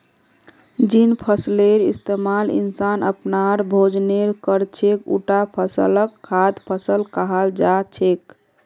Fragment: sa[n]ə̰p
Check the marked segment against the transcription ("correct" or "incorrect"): correct